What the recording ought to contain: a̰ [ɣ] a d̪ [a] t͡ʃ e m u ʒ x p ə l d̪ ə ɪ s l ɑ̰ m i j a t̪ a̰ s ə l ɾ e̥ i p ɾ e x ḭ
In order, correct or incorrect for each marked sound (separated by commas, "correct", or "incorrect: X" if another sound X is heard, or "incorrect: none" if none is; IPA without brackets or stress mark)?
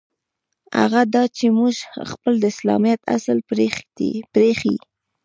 correct, incorrect: ɑ